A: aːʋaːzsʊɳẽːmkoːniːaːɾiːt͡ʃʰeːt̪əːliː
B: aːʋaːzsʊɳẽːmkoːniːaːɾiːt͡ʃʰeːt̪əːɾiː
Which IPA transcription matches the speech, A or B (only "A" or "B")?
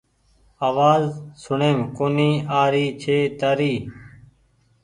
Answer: B